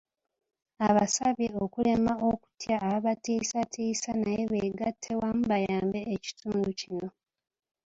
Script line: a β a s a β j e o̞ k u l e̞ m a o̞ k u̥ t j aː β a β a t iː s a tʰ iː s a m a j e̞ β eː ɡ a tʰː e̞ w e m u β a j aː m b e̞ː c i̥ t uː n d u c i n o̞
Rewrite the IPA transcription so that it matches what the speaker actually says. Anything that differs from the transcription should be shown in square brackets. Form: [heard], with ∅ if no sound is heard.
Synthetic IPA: a β a s a β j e o̞ k u l e̞ m a o̞ k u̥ t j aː β a β a t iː s a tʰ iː s a [n] a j e̞ β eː ɡ a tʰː e̞ w [a] m u β a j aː m b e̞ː c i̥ t uː n d u c i n o̞